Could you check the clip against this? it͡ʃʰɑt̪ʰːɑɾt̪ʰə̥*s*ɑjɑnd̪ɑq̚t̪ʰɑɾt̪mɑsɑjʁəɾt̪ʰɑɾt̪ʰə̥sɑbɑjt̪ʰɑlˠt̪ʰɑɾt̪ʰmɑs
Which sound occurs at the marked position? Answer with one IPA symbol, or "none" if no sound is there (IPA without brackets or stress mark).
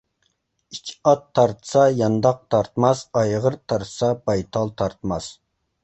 s